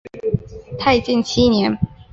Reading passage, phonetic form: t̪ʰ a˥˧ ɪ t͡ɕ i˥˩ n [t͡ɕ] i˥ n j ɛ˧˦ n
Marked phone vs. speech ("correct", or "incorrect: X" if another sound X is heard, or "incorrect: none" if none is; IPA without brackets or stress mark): incorrect: t͡ɕʰ